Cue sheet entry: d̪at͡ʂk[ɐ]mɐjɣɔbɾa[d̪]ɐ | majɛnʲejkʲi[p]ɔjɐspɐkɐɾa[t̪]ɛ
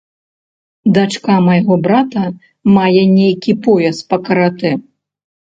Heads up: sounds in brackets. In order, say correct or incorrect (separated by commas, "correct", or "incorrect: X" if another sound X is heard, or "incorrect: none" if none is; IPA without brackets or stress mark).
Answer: incorrect: a, incorrect: t̪, correct, correct